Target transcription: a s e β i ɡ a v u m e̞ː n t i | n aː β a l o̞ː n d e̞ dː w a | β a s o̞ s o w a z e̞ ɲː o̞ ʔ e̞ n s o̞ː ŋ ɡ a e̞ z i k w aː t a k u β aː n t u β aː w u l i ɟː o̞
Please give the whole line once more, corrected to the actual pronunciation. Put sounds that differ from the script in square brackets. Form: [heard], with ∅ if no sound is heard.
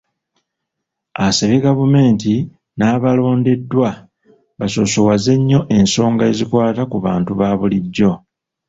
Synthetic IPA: a s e β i ɡ a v u m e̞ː n t i | n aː β a l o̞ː n d e̞ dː w a | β a s o̞ s o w a z e̞ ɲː o̞ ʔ e̞ n s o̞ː ŋ ɡ a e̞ z i k w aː t a k u β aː n t u β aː [β] u l i ɟː o̞